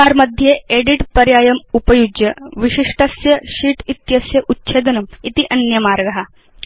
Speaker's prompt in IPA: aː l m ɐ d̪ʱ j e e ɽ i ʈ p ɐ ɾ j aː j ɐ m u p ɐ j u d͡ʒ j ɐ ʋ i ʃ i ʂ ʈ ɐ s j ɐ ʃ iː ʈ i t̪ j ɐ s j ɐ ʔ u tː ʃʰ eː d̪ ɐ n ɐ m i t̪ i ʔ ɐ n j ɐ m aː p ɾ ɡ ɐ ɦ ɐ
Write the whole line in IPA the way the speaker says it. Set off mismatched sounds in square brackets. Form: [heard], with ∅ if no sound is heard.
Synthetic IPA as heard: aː [ɾ] m ɐ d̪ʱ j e e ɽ i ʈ p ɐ ɾ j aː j ɐ m u p ɐ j u d͡ʒ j ɐ ʋ i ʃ i ʂ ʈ ɐ s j ɐ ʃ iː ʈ i t̪ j ɐ s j ɐ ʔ u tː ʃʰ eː d̪ ɐ n ɐ m i t̪ i ʔ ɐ n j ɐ m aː [∅] ɾ ɡ ɐ ɦ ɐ